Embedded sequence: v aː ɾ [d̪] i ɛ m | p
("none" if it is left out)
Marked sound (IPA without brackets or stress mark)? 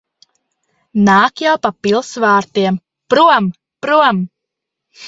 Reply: t̪